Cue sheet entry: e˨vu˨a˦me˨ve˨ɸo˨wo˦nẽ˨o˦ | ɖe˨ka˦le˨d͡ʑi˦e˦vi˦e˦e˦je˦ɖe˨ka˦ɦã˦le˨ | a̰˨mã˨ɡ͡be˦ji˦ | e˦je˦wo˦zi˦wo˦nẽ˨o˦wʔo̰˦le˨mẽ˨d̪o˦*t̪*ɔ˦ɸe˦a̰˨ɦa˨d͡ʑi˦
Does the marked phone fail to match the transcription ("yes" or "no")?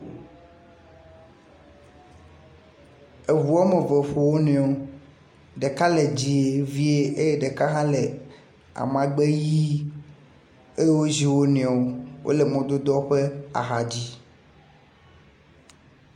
yes